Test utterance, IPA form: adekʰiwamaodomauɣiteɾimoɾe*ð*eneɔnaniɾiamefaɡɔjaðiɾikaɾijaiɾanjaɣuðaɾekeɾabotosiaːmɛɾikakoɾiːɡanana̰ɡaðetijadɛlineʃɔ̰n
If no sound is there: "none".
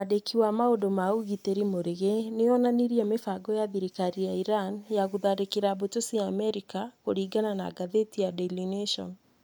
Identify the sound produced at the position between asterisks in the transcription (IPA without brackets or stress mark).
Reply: ɣ